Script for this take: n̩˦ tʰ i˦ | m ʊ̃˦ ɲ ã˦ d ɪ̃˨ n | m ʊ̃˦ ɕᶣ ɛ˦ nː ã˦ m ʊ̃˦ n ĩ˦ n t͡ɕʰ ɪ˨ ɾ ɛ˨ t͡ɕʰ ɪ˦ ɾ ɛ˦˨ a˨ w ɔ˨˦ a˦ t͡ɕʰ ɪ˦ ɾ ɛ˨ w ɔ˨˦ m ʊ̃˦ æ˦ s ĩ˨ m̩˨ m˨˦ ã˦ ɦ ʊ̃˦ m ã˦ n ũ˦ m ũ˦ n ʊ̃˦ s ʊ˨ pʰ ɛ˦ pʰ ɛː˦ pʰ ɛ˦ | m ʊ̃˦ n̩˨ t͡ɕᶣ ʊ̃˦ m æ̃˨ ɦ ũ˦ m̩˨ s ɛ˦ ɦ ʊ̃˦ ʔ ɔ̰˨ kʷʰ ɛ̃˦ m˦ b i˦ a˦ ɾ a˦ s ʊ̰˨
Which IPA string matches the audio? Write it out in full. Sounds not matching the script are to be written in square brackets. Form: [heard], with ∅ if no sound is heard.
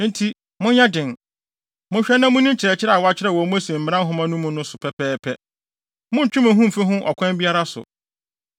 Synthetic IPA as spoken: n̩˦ tʰ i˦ | m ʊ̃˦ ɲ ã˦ d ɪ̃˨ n | m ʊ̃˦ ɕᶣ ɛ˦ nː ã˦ m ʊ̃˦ n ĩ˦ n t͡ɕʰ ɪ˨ ɾ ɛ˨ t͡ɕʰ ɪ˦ ɾ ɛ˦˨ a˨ w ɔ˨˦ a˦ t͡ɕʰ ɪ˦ ɾ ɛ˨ w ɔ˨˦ m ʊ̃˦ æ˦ s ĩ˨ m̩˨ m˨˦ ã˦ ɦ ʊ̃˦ m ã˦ n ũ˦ m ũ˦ n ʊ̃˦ s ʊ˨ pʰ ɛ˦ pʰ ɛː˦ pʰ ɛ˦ | m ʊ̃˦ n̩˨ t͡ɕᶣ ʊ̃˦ m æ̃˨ ɦ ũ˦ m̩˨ [f] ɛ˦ ɦ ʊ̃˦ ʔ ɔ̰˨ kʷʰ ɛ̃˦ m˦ b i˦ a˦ ɾ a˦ s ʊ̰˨

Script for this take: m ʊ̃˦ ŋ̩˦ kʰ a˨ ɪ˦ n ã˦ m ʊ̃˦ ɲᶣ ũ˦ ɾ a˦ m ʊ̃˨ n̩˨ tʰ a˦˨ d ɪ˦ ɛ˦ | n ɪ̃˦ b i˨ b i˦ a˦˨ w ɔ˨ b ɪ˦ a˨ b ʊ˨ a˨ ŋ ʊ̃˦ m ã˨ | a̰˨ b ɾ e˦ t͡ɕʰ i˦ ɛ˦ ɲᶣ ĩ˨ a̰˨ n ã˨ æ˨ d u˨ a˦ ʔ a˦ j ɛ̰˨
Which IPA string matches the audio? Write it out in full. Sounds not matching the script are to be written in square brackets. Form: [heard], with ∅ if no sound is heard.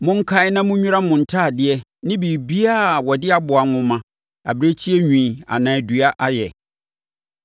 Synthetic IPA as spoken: m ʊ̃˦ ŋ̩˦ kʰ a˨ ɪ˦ n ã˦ m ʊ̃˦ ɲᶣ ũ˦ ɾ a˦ m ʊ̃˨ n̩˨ tʰ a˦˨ d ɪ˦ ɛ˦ | n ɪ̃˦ b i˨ b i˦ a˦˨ w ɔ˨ [d] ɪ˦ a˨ b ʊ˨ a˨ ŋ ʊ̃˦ m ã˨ | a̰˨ b ɾ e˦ t͡ɕʰ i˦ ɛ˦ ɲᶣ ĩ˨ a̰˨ n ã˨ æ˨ d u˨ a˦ ʔ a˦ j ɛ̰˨

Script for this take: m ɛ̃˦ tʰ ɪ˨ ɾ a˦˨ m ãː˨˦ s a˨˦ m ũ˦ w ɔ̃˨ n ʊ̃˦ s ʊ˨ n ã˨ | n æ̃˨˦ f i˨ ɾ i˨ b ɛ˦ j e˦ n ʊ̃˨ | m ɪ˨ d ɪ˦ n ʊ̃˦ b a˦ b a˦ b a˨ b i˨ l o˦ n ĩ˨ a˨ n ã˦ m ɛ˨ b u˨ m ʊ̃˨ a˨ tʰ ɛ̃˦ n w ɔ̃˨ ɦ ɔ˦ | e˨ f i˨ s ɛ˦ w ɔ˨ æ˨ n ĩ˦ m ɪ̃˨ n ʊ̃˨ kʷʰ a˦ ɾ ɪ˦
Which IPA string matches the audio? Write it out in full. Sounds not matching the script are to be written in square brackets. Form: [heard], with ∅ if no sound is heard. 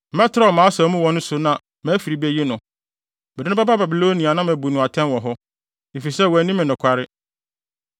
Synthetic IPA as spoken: m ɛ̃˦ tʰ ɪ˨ ɾ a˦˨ m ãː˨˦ s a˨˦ m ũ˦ w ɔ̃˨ n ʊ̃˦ s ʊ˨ n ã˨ | [m] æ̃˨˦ f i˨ ɾ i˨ b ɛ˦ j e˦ n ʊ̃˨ | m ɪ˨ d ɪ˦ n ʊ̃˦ b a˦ b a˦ b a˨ b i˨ l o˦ n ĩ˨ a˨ n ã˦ m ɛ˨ b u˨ [n] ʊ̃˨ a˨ tʰ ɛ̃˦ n w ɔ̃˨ ɦ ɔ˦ | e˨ f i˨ s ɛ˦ w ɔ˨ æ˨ n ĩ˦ m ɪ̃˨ n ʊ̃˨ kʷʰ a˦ ɾ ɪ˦

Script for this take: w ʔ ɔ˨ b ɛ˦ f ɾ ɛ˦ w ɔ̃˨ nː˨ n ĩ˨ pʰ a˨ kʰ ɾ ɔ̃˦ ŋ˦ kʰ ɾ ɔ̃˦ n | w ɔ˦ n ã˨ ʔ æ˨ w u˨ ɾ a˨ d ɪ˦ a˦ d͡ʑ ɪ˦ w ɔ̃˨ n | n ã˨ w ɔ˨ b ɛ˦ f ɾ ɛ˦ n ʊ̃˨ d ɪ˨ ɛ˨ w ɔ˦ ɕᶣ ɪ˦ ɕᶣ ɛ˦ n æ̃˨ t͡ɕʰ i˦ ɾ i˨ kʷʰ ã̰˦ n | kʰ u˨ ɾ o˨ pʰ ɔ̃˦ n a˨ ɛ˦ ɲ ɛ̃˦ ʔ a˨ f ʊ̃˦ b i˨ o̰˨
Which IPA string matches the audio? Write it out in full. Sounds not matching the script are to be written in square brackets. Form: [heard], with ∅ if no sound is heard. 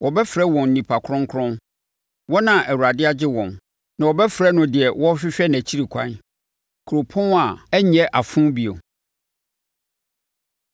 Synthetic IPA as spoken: w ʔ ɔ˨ b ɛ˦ f ɾ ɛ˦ w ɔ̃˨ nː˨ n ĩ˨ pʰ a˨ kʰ ɾ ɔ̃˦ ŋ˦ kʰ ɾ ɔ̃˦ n | w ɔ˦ n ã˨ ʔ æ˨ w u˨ ɾ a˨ d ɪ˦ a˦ d͡ʑ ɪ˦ w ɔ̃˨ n | n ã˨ w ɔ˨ b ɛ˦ f ɾ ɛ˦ n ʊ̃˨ d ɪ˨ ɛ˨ w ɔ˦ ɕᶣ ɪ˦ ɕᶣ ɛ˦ n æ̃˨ t͡ɕʰ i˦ ɾ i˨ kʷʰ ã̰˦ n | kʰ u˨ ɾ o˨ pʰ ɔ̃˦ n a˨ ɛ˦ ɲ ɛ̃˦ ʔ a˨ f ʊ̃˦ b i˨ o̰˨

